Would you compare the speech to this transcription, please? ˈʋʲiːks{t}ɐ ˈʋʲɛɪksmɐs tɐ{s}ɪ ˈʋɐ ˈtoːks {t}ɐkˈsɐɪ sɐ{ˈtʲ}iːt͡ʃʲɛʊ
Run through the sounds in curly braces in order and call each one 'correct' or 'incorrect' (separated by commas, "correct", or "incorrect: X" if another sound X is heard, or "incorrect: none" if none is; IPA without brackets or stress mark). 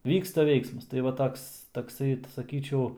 correct, incorrect: none, correct, incorrect: kʲ